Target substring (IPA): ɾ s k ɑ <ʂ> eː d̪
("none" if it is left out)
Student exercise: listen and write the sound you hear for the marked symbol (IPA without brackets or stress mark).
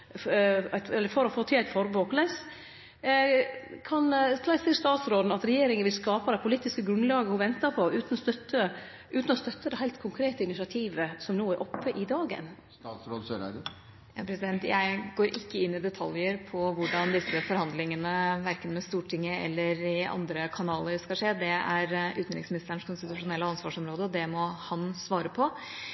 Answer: ʂ